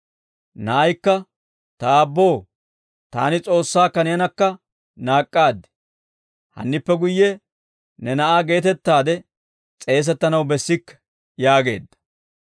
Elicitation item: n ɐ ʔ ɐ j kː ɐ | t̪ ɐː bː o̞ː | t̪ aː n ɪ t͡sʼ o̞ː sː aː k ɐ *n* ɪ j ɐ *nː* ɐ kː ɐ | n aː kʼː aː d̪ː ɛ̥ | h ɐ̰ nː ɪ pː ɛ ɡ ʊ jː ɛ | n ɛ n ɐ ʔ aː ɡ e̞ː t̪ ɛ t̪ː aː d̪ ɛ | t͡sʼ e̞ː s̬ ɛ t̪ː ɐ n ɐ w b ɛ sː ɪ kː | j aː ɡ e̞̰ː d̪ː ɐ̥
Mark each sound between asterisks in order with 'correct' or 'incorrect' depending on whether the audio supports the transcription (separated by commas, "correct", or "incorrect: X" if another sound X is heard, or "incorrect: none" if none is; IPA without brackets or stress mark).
correct, incorrect: n